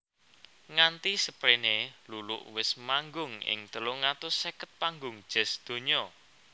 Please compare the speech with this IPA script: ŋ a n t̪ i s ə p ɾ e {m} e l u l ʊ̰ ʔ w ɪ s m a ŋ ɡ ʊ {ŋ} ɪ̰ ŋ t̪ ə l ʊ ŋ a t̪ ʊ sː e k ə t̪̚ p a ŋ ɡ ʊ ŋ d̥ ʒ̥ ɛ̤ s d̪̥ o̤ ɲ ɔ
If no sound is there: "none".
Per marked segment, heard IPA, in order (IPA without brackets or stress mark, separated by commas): n, ŋ